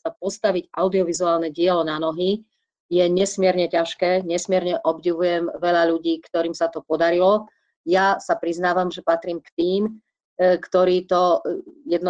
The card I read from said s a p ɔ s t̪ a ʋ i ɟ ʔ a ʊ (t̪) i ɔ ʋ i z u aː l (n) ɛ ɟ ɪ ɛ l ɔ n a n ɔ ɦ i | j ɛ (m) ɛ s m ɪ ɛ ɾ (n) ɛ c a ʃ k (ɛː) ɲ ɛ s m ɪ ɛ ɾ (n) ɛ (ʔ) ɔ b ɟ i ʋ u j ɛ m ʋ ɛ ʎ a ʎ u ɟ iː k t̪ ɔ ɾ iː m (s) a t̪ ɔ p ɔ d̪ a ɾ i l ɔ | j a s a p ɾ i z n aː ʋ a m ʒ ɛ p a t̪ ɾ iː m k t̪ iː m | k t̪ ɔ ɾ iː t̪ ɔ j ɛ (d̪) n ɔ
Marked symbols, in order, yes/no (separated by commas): no, yes, no, no, yes, no, yes, yes, yes